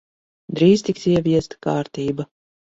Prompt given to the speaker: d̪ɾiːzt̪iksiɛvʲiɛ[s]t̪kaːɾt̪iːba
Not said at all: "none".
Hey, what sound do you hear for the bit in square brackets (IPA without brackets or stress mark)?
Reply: s